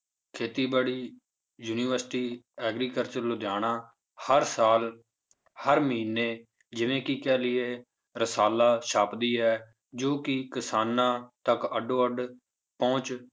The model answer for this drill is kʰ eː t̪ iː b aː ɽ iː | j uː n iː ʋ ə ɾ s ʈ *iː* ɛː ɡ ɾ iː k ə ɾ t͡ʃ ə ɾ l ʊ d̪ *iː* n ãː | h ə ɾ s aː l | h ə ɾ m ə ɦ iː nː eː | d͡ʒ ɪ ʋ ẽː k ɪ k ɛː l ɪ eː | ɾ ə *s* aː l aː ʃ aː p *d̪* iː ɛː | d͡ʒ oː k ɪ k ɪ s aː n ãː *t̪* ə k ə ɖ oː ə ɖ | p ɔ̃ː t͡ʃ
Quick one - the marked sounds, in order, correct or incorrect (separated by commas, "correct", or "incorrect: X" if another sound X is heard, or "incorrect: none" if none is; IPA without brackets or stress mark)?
correct, incorrect: aː, correct, correct, correct